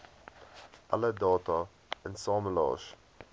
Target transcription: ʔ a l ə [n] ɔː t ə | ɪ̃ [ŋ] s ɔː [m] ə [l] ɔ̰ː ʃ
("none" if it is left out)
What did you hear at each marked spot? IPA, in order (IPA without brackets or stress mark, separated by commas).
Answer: d, n, m, l